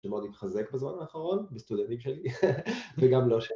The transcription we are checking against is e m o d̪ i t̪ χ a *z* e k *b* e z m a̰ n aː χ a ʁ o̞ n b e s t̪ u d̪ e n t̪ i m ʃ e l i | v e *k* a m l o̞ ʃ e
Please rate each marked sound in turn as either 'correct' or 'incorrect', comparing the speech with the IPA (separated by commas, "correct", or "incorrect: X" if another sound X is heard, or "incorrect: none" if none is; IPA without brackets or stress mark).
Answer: correct, correct, incorrect: ɡ